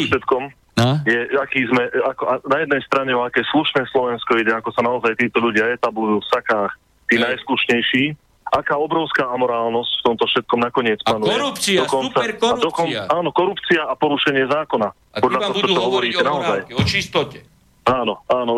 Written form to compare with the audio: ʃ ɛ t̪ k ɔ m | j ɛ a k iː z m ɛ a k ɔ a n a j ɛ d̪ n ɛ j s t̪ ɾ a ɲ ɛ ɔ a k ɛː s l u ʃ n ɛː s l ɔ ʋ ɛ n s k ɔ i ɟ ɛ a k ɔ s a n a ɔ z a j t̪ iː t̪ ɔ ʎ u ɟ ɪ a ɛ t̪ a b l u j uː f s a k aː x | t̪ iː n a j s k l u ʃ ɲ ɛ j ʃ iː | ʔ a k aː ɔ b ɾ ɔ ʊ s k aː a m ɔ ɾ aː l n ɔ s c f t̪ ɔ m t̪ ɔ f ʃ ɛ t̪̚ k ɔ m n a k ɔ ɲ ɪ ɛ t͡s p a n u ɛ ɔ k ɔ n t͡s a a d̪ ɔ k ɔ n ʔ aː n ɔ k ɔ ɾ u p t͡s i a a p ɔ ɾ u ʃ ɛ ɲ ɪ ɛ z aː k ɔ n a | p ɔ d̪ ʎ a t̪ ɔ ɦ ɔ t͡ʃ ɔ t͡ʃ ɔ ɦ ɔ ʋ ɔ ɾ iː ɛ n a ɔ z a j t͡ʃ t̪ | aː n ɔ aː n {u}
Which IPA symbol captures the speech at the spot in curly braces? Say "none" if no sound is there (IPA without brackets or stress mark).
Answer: ɔ